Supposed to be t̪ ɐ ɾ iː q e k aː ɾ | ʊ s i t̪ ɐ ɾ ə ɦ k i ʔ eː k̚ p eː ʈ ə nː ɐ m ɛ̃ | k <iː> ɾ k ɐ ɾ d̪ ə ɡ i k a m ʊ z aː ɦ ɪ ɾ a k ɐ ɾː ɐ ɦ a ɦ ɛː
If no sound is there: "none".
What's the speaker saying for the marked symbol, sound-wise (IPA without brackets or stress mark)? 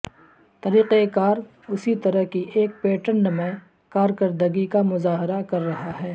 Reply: aː